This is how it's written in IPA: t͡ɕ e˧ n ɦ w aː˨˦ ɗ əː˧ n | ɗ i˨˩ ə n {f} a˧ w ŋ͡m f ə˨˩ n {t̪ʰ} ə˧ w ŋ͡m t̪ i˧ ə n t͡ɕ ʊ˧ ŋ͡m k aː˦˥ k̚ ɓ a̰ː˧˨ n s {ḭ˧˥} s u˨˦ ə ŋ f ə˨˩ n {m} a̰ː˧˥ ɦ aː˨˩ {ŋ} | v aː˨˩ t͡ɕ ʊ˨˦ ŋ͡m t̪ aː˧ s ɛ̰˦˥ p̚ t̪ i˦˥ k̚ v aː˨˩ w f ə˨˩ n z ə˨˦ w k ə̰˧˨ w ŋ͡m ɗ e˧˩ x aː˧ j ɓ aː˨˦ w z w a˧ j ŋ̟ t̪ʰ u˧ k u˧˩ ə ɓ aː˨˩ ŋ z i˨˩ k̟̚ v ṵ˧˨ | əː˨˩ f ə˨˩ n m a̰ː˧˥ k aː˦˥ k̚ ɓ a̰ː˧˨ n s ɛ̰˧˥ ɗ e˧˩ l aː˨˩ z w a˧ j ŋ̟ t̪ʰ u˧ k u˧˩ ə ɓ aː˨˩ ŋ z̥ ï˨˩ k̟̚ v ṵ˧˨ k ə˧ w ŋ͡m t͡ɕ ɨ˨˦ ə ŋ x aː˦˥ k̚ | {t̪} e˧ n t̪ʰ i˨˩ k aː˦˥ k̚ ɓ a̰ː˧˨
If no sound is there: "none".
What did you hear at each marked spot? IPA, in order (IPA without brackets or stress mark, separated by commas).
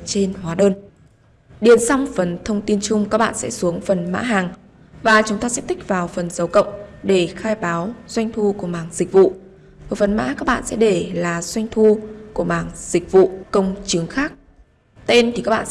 s, t̪ʰ, ɛ̰˧˥, m, ŋ, t̪